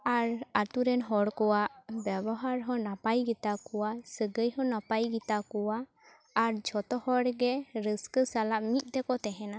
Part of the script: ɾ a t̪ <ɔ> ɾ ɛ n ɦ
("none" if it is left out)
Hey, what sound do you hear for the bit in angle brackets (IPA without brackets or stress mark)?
u